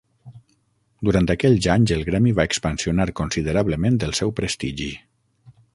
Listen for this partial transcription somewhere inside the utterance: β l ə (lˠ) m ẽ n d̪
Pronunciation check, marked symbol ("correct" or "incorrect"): incorrect